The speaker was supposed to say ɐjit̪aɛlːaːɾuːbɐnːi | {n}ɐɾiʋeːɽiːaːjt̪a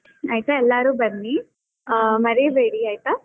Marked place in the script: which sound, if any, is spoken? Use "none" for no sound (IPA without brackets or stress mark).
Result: m